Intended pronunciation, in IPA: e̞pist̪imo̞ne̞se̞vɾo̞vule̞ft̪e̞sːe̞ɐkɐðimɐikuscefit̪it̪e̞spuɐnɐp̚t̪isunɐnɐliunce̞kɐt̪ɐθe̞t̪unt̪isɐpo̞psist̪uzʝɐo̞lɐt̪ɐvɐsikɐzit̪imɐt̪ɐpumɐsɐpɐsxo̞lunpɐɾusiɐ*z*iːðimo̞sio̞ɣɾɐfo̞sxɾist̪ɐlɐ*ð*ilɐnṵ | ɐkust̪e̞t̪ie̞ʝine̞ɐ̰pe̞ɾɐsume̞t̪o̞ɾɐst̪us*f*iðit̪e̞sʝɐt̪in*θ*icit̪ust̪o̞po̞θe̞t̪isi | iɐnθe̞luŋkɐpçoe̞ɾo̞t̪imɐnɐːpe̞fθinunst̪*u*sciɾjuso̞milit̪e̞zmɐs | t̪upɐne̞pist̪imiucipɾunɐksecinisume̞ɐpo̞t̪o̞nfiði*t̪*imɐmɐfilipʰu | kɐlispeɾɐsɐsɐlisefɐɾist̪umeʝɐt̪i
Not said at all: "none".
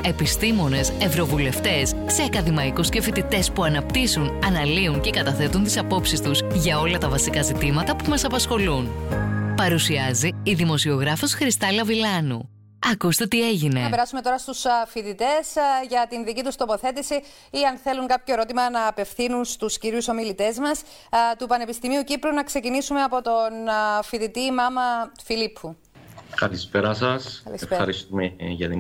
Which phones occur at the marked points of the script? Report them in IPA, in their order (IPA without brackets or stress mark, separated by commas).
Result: z, v, f, ð, u, t̪